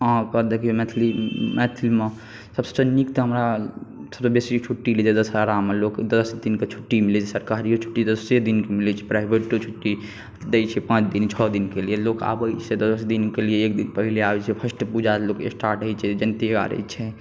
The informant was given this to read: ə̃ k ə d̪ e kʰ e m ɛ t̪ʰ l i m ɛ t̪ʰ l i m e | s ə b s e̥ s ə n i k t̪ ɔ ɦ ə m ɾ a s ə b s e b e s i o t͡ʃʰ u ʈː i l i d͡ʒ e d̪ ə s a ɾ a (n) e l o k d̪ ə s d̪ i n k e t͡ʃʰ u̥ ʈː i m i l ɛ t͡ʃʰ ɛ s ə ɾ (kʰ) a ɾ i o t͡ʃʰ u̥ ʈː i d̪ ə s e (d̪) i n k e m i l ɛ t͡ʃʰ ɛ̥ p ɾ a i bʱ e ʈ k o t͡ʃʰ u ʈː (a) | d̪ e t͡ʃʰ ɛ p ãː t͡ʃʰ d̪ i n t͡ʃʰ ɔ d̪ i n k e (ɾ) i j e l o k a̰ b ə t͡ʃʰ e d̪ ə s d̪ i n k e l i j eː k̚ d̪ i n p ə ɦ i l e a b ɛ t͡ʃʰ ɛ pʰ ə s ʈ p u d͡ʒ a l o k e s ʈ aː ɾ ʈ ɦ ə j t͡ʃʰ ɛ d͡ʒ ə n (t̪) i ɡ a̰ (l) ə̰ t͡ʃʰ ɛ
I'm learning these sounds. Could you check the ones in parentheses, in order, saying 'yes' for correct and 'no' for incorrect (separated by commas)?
no, no, yes, no, no, yes, no